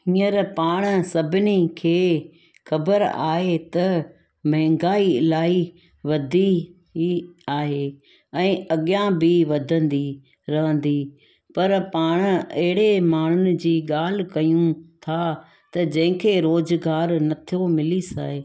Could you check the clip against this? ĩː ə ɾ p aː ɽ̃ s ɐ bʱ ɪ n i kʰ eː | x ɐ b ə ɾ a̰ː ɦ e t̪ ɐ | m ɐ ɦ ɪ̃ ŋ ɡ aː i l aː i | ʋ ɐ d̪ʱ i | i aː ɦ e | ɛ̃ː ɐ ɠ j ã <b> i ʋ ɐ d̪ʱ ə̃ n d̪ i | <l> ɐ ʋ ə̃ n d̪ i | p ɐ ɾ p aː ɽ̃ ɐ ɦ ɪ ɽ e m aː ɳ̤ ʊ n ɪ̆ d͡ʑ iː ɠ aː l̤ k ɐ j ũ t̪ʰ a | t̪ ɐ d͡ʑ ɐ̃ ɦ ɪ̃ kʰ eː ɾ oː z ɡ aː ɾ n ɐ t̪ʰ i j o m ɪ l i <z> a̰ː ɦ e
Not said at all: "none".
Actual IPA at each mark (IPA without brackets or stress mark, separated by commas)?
b, ɾ, s